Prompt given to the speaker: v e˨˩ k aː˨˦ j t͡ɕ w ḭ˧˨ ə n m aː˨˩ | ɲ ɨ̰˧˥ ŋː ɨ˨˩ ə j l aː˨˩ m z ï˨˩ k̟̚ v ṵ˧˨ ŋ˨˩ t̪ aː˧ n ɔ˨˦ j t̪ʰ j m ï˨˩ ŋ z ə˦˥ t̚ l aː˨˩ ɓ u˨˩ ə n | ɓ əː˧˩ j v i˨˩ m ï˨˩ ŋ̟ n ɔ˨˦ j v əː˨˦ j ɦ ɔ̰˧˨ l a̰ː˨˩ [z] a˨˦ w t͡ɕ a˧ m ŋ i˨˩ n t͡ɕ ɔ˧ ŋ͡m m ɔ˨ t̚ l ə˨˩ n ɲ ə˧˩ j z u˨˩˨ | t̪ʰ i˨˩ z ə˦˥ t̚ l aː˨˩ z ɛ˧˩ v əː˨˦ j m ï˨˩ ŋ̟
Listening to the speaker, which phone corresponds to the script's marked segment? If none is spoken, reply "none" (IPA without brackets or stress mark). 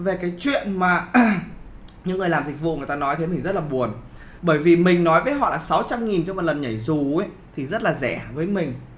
s